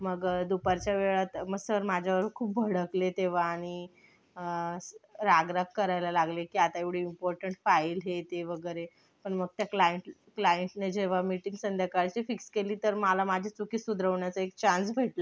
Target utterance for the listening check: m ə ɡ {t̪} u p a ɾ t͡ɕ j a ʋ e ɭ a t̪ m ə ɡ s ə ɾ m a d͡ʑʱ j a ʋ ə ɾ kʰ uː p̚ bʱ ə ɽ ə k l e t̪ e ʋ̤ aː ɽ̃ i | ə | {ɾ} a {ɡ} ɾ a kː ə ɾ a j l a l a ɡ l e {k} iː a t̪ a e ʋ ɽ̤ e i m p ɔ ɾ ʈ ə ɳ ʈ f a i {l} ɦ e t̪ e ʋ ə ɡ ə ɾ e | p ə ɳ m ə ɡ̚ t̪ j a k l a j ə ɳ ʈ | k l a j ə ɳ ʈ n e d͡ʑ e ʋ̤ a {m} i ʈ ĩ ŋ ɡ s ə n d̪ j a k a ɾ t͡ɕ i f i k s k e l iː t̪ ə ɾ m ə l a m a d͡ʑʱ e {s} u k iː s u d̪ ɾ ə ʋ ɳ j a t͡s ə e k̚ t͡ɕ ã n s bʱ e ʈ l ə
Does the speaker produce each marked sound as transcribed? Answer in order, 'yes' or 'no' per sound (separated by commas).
no, yes, yes, yes, yes, yes, no